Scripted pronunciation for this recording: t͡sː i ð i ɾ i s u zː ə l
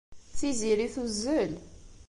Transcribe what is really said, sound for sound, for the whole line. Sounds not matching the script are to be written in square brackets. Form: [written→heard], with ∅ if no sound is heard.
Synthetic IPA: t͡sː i [ð→z] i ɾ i [s→θ] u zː ə l